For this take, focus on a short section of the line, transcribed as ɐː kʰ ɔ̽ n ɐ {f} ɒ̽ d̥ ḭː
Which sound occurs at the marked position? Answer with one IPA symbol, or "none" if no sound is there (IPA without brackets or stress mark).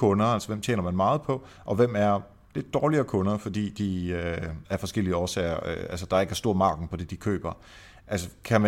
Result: f